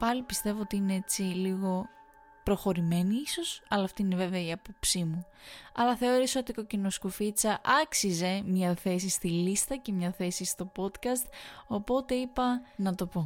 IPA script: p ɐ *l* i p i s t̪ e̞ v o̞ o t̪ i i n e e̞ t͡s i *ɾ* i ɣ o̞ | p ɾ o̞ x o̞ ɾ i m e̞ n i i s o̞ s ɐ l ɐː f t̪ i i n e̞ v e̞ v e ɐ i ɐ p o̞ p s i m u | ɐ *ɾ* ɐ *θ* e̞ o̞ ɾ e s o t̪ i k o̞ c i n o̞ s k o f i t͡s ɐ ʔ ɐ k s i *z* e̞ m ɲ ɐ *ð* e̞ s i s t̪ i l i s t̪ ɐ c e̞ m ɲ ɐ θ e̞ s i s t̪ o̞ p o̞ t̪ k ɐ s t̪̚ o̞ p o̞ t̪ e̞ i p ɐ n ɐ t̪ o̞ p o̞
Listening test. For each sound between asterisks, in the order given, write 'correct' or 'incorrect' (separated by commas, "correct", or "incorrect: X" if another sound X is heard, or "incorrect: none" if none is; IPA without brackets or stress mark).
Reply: correct, incorrect: l, incorrect: l, correct, correct, incorrect: θ